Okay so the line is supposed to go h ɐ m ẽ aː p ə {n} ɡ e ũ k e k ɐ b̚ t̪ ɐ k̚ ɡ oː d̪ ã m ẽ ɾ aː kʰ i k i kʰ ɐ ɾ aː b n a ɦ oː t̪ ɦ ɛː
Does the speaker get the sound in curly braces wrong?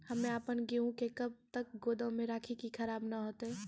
no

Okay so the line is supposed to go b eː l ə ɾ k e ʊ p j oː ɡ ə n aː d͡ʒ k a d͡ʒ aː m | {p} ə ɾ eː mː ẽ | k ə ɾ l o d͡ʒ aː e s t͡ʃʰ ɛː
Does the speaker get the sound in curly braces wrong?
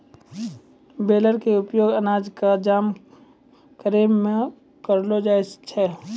yes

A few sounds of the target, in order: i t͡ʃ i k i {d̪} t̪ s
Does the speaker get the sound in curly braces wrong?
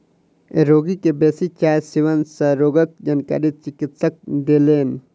yes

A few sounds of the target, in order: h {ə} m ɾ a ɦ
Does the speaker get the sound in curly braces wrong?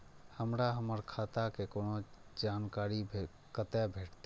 no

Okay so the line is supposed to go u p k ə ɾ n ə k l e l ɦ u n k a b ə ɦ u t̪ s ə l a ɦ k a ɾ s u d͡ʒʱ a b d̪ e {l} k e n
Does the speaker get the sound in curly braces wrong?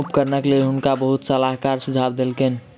no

